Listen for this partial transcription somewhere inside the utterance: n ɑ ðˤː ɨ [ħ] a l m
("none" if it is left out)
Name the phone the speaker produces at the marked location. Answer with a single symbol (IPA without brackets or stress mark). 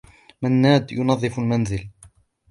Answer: f